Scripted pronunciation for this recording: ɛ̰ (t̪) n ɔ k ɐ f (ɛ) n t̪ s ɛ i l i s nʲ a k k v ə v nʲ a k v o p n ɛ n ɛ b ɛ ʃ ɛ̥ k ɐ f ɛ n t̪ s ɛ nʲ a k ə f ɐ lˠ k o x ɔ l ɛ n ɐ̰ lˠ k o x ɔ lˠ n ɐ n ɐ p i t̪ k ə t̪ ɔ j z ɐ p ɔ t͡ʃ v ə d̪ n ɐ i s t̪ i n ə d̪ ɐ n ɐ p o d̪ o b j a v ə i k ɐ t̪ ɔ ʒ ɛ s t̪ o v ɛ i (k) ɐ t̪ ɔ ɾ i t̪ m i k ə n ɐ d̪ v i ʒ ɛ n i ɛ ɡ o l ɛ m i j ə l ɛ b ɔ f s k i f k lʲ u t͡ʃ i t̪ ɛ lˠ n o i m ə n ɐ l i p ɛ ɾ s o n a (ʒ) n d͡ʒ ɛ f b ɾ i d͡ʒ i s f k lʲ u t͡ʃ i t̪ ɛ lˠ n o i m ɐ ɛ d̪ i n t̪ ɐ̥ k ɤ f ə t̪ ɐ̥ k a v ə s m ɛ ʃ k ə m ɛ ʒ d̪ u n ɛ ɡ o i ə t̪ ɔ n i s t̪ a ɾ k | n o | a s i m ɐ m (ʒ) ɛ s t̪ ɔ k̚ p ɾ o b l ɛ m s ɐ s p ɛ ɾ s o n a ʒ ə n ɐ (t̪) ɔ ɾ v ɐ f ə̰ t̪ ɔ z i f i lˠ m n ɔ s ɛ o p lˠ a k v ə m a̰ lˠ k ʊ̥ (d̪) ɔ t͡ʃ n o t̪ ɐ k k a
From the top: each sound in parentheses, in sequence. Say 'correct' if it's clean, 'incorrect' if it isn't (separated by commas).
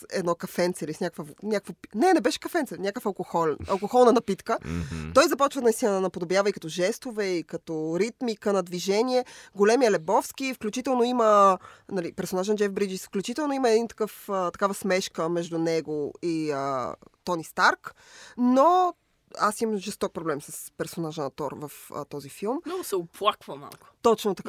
incorrect, correct, correct, correct, correct, correct, incorrect